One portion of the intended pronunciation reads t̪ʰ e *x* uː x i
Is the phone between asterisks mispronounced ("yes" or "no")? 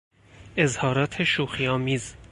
yes